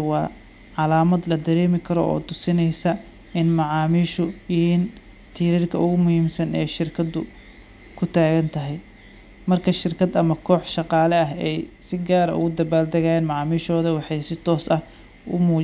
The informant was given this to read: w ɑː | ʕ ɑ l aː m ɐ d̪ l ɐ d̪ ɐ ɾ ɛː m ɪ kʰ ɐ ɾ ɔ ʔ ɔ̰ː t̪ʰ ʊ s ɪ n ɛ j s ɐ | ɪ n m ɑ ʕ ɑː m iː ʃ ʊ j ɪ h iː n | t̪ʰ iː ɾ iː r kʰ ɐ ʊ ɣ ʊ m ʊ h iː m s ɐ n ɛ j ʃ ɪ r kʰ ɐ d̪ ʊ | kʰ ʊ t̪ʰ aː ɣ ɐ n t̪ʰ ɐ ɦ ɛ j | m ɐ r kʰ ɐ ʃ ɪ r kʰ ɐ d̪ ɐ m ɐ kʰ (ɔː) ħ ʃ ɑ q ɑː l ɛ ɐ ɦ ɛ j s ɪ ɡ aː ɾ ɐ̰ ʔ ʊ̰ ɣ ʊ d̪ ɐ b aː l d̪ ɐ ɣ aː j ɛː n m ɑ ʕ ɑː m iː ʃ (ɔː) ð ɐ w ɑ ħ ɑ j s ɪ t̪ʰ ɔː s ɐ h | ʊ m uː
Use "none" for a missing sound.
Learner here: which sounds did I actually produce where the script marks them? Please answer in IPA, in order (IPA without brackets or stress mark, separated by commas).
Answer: ɔː, ɔː